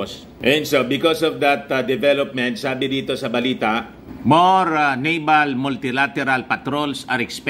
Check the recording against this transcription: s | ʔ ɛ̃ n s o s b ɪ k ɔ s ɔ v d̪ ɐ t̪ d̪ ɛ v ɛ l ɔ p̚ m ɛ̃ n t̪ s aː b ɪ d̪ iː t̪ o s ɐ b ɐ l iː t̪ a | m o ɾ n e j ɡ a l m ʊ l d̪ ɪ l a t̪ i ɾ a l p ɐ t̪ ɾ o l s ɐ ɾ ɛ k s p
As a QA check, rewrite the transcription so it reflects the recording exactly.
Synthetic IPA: s | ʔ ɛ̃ n s o b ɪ k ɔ s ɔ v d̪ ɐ t̪ d̪ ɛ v ɛ l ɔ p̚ m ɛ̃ n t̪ s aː b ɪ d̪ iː t̪ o s ɐ b ɐ l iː t̪ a | m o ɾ n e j b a l m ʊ l t̪ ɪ l a t̪ ɛ ɾ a l p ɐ t̪ ɾ o l s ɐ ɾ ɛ k s p